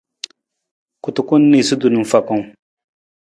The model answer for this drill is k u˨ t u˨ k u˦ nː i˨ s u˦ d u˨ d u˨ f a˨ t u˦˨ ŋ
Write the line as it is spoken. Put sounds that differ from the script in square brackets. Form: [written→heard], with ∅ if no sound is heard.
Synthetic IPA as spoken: k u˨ t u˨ k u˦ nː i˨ s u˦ d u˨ [d→n] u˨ f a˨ [t→k] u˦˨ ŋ